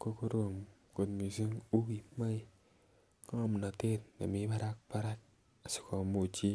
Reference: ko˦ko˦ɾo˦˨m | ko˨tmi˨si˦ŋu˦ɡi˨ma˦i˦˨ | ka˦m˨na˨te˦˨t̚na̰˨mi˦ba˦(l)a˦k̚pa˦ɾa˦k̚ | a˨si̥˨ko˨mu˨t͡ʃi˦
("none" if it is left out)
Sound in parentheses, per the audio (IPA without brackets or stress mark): ɾ